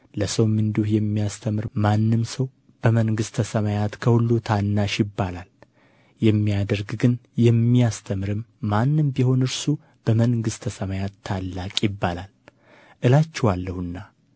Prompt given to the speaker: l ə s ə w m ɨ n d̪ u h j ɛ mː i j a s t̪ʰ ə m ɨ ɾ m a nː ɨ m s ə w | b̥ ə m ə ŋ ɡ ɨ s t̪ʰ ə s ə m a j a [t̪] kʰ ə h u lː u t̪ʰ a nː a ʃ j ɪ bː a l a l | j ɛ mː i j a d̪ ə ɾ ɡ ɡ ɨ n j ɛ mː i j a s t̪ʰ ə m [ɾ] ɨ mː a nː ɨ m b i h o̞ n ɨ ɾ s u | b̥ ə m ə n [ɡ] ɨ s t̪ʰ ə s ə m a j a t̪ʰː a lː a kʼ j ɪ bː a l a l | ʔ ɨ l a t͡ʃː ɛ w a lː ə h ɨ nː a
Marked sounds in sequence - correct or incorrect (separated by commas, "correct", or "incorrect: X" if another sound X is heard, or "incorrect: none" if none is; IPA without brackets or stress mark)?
correct, correct, correct